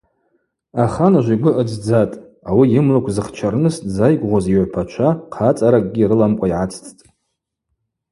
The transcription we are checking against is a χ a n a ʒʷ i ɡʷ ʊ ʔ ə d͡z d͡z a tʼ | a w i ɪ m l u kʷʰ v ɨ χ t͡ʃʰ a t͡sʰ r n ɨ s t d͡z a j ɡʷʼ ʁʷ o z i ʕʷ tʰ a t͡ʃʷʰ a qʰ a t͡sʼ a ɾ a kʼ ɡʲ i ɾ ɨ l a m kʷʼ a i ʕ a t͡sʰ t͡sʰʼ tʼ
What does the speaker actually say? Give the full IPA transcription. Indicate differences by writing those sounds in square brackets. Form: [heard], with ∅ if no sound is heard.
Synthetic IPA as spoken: a χ a n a ʒʷ i ɡʷ ʊ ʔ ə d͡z d͡z a tʼ | a w i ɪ m l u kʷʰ [z] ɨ χ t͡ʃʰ a [∅] r n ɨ s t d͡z a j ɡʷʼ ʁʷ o z i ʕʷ [pʰ] a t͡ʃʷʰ a qʰ a t͡sʼ a ɾ a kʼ ɡʲ i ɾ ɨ l a m kʷʼ a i ʕ a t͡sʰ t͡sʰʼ tʼ